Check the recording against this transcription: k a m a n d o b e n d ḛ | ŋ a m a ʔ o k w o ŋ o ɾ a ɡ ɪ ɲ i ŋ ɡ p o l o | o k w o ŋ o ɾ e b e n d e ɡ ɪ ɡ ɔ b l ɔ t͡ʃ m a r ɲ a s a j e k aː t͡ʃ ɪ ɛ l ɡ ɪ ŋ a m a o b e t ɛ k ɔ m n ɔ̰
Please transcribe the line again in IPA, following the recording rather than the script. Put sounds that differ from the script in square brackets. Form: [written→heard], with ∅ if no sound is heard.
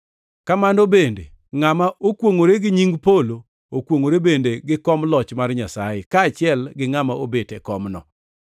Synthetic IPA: k a m a n d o b e n d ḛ | ŋ a m a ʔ o k w o ŋ o ɾ [a→e] ɡ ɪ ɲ i ŋ ɡ p o l o | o k w o ŋ o ɾ e b e n d e ɡ ɪ [ɡ→k] ɔ [b→m] l ɔ t͡ʃ m a r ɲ a s a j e k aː t͡ʃ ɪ ɛ l ɡ ɪ ŋ a m a o b e t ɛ k ɔ m n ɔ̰